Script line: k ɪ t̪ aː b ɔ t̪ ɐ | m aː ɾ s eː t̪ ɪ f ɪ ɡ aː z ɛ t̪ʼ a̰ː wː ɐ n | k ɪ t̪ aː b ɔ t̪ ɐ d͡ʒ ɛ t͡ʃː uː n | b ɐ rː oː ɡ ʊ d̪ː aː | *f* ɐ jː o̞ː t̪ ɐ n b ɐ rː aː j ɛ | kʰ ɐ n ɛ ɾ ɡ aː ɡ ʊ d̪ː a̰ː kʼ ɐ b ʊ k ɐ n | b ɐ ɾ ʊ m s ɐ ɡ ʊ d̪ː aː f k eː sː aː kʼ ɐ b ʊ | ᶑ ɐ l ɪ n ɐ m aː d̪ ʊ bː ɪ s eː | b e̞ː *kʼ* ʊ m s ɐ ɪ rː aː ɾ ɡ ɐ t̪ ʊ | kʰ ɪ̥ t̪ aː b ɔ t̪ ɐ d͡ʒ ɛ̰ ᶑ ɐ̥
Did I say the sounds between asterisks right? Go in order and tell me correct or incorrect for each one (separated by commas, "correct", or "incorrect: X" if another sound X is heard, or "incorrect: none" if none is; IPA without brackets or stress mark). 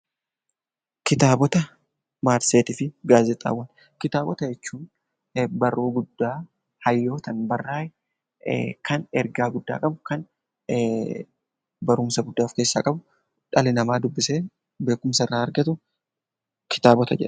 incorrect: h, incorrect: k